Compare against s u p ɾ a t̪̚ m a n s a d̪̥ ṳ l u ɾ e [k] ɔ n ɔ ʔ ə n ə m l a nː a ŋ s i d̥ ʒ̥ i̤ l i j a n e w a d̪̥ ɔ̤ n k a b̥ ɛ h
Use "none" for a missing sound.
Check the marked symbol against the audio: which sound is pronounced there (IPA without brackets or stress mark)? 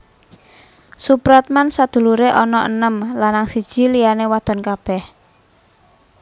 ʔ